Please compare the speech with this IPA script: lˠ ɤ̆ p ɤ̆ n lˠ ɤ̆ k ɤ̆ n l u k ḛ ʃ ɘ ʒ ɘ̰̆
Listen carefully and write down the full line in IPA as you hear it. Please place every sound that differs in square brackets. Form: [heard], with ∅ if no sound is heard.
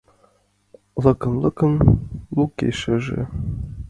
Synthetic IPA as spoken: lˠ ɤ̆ [k] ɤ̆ n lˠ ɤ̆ k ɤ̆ n l u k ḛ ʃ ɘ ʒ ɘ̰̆

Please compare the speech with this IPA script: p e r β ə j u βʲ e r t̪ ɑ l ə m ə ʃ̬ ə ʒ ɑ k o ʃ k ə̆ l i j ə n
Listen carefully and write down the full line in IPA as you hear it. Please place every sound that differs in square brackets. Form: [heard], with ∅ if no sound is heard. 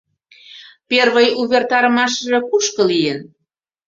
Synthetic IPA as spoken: p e r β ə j u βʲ e r t̪ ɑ [ɾ] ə m [ɑ] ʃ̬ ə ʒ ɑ k [u] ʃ k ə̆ l i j ə n

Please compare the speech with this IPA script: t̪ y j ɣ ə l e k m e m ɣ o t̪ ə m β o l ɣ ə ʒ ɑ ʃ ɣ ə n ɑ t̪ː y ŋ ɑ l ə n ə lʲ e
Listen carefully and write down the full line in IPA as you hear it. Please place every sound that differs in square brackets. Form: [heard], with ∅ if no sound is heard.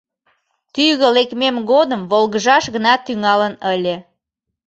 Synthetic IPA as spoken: t̪ y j ɣ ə l e k m e m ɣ o [d̪] ə m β o l ɣ ə ʒ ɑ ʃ ɣ ə n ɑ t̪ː y ŋ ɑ l ə n ə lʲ e

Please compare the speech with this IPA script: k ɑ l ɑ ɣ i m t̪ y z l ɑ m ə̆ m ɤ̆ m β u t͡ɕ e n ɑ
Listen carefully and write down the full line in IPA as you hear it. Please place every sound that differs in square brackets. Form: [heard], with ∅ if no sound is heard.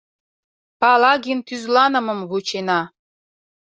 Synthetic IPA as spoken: [p] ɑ l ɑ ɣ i [n] t̪ y z l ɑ [n] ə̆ m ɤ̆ m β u t͡ɕ e n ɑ

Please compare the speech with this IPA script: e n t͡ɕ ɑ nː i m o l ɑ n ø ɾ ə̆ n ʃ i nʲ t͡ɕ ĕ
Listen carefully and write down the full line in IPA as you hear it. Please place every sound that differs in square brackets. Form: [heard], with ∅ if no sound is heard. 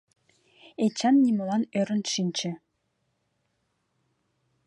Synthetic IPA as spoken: e [∅] t͡ɕ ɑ nː i m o l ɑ n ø ɾ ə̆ n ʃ i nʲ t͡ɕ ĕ

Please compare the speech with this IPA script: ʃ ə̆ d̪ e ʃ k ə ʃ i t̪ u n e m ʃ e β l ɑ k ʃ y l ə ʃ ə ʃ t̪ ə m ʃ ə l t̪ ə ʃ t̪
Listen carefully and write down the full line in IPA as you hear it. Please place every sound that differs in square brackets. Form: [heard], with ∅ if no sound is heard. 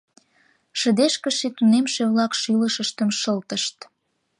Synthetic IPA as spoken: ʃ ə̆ d̪ e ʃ k ə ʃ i t̪ u n e m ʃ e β l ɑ k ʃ y l ə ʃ ə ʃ t̪ ə m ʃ ə l t̪ ə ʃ t̪

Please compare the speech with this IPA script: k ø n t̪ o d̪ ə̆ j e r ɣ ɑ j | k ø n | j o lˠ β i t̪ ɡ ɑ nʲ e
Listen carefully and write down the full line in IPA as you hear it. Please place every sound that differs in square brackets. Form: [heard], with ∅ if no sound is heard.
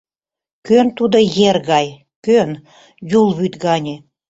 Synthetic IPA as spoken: k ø n t̪ [u] d̪ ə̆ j e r ɣ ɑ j | k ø n | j [u] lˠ β [y] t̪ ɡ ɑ nʲ e

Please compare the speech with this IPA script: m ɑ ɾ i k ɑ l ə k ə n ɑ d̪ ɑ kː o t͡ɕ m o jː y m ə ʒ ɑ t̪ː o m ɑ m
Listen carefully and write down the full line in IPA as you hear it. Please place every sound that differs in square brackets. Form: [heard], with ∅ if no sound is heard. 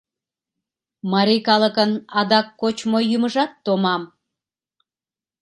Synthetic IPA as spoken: m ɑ ɾ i k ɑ l ə k ə n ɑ d̪ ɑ kː o t͡ɕ m o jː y m ə ʒ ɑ t̪ː o m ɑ m

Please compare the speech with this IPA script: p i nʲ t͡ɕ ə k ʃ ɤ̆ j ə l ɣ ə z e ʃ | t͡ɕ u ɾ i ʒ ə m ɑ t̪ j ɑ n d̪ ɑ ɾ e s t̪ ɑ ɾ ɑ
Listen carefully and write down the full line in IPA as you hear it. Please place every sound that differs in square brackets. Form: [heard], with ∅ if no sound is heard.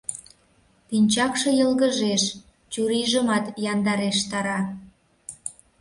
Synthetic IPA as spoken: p i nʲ t͡ɕ [ɑ] k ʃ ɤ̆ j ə l ɣ ə [ʒ] e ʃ | t͡ɕ u ɾ i ʒ ə m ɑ t̪ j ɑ n d̪ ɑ ɾ e [ʃ] t̪ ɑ ɾ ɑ

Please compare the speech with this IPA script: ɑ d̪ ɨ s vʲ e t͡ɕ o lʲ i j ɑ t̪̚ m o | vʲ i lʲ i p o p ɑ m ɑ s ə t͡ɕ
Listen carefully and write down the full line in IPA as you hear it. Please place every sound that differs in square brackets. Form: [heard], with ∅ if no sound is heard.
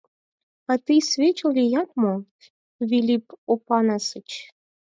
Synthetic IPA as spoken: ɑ [t̪] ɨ s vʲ e t͡ɕ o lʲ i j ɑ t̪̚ m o | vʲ i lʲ i p o p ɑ [n] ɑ s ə t͡ɕ

